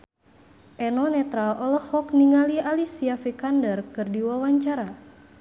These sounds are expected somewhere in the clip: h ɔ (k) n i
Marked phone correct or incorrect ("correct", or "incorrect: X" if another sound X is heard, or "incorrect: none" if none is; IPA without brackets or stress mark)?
correct